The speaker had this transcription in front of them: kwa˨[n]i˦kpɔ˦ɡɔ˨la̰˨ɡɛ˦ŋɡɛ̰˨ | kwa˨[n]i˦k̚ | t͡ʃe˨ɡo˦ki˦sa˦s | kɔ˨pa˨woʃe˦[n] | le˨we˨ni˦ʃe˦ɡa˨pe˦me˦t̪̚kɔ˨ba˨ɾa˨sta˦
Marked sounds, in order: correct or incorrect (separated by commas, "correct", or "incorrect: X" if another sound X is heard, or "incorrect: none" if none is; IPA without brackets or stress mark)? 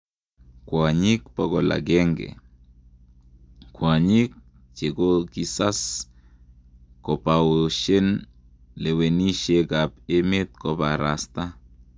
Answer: incorrect: ɲ, incorrect: ɲ, correct